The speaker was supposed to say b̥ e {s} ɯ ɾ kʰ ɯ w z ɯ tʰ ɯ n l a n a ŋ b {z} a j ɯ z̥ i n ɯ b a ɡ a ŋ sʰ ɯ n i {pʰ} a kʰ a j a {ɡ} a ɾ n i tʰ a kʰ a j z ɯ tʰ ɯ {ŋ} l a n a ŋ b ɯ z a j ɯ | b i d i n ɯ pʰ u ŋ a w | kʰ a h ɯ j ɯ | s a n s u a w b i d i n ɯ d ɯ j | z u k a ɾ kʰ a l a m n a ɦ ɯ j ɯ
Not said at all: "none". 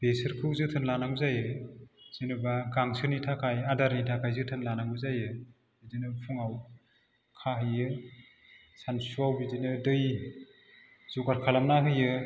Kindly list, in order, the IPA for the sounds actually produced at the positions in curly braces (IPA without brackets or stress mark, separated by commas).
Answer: s, z, tʰ, d, n